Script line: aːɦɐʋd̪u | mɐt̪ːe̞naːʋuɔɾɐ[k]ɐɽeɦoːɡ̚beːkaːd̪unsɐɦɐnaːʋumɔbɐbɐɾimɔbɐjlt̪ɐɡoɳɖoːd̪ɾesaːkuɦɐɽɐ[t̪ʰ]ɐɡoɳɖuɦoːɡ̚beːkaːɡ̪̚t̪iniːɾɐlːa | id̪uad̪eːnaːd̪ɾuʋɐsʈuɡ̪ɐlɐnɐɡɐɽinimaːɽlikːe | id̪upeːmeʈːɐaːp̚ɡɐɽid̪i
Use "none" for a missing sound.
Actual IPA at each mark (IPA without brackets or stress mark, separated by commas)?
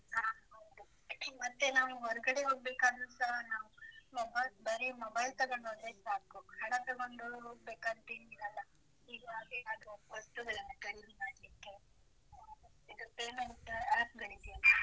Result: ɡ, t̪